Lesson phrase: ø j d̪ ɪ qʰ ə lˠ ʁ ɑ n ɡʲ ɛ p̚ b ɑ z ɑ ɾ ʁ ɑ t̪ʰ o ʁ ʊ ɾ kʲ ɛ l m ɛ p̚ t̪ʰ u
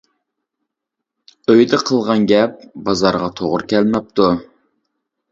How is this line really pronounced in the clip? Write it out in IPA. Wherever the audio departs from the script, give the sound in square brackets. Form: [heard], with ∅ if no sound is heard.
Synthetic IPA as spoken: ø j d̪ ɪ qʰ ə lˠ ʁ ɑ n ɡʲ ɛ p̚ b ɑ z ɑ ɾ ʁ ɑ t̪ʰ o ʁ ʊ ɾ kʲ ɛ l m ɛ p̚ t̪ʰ u